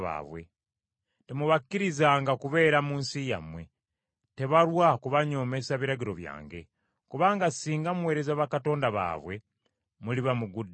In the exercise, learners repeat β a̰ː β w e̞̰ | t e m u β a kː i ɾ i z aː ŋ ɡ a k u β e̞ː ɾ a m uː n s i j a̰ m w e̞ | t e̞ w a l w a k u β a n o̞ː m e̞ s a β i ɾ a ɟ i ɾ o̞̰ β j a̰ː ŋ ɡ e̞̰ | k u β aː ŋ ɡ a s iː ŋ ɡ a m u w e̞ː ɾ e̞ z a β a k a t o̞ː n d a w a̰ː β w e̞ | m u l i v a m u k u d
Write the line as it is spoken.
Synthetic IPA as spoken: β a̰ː β w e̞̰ | t e m u β a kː i ɾ i z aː ŋ ɡ a k u β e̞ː ɾ a m uː n s i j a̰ m w e̞ | t e̞ β a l w a k u β a ɲ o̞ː m e̞ s a β i ɾ a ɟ i ɾ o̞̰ β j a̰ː ŋ ɡ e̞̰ | k u β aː ŋ ɡ a s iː ŋ ɡ a m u w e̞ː ɾ e̞ z a β a k a t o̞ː n d a β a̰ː β w e̞ | m u l i β a m u ɡ u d